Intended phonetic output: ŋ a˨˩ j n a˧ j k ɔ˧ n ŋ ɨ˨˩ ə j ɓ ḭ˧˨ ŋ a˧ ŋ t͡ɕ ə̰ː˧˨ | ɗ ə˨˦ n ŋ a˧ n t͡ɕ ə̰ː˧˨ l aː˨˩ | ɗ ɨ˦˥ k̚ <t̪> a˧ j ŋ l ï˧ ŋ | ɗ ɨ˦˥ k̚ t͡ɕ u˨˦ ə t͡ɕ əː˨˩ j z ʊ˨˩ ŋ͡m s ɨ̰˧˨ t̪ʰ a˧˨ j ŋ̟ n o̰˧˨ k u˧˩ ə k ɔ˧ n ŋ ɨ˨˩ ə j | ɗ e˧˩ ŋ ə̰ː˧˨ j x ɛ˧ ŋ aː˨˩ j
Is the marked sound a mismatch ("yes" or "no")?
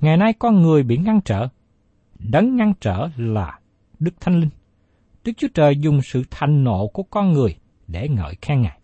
yes